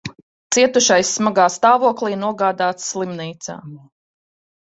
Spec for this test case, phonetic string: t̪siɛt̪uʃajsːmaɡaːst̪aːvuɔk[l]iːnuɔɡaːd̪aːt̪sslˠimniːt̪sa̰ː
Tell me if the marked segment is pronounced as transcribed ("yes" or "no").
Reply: yes